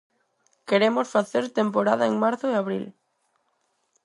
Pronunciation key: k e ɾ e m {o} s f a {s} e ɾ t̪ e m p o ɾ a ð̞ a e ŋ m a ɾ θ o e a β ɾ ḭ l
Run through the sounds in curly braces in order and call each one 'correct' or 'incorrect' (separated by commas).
correct, incorrect